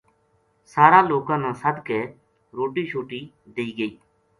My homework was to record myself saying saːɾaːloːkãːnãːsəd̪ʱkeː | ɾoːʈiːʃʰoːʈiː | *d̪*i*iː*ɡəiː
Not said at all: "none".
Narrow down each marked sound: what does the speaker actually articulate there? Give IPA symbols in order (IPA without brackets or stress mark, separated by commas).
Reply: d̪, iː